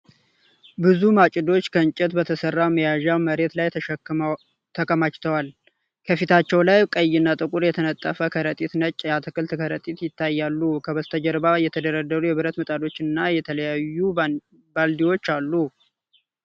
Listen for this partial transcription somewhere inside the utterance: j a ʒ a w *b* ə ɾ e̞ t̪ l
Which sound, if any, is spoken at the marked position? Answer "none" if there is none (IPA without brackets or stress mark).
m